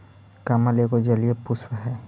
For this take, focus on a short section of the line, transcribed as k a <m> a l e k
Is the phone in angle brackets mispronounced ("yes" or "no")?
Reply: no